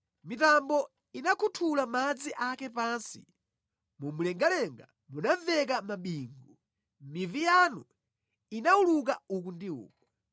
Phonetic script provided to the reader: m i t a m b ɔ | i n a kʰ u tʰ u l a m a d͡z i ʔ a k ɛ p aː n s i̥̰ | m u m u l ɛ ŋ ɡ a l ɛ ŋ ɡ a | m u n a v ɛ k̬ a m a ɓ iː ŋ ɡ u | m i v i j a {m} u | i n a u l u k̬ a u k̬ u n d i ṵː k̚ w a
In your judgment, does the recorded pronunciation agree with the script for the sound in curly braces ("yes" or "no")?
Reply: no